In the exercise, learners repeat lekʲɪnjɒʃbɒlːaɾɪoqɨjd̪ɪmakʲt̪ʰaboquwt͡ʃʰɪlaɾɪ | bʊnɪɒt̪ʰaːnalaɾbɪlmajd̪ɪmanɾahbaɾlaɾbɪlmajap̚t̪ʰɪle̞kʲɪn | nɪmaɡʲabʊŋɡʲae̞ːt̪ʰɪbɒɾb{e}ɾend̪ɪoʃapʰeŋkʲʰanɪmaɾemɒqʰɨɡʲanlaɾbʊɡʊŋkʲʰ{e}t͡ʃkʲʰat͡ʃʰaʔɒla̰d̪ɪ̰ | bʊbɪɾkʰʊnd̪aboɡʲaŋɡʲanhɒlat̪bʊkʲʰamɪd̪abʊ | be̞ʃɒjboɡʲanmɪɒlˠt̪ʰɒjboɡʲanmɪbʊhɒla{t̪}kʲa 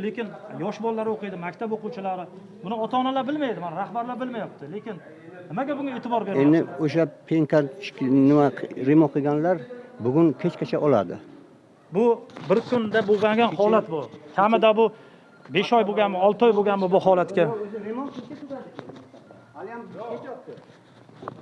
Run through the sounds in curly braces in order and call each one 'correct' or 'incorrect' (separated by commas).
correct, correct, correct